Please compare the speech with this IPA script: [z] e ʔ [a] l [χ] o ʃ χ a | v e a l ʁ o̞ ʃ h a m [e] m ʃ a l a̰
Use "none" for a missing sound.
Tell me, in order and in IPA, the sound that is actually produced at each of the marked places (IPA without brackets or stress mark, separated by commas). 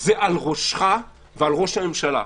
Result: z, a, ʁ, e